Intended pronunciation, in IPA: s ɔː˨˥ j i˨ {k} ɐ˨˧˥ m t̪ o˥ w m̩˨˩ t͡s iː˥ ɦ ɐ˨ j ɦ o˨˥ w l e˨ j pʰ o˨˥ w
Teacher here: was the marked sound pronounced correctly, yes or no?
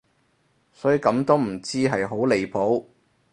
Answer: yes